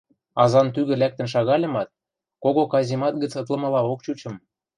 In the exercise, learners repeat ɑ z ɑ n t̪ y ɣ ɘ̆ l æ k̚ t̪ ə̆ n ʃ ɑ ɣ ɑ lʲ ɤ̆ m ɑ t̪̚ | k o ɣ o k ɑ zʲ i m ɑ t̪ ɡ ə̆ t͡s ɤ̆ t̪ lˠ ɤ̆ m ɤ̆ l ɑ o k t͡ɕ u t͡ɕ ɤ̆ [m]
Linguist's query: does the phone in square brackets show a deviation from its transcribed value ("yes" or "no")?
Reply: no